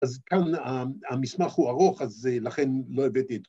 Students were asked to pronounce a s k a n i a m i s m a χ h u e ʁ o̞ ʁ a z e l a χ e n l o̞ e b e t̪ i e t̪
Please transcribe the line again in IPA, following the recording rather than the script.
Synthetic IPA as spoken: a z k a n a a m i s m a χ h u a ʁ o̞ χ a z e l a χ e n l o̞ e v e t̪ i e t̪

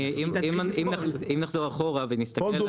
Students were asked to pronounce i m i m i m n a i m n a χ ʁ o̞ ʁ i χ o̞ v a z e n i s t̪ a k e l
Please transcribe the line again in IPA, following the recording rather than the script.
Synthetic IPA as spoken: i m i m i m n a i m n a χ z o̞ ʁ a χ o̞ ʁ a v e n i s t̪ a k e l

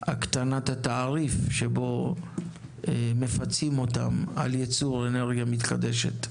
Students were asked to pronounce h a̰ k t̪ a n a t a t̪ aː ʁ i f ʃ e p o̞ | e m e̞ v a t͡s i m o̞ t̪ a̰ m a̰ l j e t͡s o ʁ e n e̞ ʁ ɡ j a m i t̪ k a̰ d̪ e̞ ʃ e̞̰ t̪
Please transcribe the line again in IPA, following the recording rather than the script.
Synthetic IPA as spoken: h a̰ k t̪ a n a t a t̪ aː ʁ i f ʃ e b o̞ | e m e̞ f a t͡s i m o̞ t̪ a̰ m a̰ l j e t͡s u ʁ e n e̞ ʁ ɡ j a m i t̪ k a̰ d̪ e̞ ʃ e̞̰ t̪

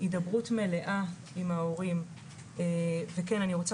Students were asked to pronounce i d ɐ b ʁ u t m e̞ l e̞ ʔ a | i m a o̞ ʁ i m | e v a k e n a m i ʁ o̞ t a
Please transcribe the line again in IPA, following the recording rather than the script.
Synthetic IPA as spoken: i d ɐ b ʁ u t m e̞ l e̞ ʔ a | i m a o̞ ʁ i m | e v e k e n a n i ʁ o̞ t͡s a

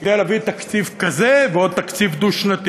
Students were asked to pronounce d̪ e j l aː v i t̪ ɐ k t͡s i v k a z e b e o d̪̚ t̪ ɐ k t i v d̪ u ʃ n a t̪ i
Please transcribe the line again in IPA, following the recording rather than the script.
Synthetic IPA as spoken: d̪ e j l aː v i t̪ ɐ k t͡s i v k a z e v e o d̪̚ t̪ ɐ k t͡s i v d̪ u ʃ n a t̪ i

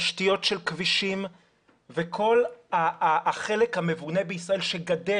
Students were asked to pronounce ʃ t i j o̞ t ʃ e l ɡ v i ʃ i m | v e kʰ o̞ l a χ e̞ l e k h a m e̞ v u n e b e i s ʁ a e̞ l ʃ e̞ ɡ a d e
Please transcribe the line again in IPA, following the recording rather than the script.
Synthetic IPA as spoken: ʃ t i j o̞ t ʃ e l k v i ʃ i m | v e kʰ o̞ l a χ e̞ l e k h a m e̞ v u n e b e i s ʁ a e̞ l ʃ e̞ ɡ a d e

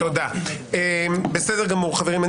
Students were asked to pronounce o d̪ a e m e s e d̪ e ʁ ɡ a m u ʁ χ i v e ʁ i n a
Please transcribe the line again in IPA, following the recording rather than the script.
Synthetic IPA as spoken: o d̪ a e b e s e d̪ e ʁ ɡ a m u ʁ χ a v e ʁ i m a

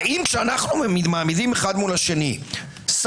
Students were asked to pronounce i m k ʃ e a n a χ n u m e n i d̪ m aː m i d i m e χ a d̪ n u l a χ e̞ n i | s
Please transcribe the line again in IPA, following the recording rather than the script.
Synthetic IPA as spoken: i m k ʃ e a n a χ n u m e m i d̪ m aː m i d i m e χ a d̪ m u l a ʃ e̞ n i | s

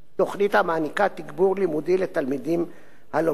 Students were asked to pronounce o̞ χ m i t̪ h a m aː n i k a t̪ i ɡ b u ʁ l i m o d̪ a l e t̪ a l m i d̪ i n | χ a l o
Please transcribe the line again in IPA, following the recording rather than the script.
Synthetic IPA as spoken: o̞ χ n i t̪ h a m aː n i k a t̪ i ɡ b u ʁ l i m u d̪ i l e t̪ a l m i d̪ i m | h a l o

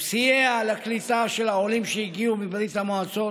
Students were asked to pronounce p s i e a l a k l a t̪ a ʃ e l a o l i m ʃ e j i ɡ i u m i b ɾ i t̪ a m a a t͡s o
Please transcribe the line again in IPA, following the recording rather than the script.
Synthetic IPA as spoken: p s i e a l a k l i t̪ a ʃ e l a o l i m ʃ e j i ɡ i u m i b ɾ i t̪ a m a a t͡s o

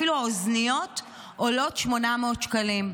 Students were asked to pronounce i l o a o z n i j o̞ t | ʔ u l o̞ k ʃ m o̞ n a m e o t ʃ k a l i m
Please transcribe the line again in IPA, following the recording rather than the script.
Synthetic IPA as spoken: i l u a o z n i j o̞ t | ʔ o l o̞ t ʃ m o̞ n a m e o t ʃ k a l i m

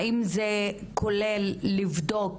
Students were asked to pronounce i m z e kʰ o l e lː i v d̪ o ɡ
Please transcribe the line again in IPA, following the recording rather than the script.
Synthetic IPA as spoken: i m z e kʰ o l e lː i v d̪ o k

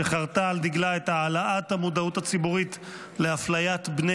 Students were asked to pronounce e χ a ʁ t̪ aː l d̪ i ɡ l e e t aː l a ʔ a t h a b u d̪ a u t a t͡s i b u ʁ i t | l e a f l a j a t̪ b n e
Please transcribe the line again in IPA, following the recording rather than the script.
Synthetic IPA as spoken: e χ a ʁ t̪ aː l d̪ i ɡ l a e t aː l a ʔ a t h a m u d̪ a u t a t͡s i b u ʁ i t | l e a f l a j a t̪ b n e

